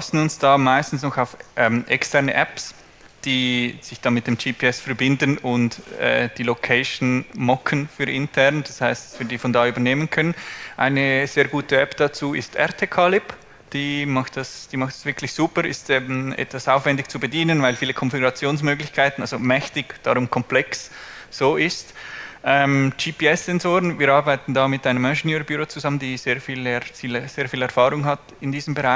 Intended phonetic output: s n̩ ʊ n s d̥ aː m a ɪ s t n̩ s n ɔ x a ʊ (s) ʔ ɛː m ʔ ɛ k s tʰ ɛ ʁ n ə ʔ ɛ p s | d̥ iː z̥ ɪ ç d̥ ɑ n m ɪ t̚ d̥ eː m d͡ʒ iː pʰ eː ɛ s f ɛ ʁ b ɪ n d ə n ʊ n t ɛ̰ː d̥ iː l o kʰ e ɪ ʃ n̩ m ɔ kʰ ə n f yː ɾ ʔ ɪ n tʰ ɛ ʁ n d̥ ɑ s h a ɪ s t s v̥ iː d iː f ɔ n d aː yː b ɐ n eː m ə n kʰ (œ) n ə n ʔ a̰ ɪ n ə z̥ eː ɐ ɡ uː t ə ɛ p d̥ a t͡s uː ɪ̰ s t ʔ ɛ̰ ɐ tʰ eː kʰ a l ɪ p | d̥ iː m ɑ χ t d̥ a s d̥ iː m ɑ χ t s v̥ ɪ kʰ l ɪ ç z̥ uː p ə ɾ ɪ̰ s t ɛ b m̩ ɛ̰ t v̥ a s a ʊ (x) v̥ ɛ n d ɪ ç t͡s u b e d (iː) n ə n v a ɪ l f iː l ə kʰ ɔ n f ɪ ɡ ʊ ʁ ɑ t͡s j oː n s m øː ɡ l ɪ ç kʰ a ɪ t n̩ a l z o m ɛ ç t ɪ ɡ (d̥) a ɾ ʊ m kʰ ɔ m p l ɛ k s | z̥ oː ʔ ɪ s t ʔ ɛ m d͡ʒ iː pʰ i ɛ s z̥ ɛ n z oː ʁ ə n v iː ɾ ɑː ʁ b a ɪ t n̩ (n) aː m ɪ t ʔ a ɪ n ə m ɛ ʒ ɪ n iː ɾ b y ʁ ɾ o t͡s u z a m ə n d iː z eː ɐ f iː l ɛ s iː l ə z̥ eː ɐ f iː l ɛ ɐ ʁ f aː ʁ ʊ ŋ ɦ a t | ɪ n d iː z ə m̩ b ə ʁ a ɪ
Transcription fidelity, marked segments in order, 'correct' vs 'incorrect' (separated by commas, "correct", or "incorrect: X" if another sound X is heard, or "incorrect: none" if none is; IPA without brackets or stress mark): incorrect: f, correct, incorrect: f, correct, correct, incorrect: d